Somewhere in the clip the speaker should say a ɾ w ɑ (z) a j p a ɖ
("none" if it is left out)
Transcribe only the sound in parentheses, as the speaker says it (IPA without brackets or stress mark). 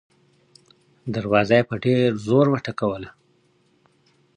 z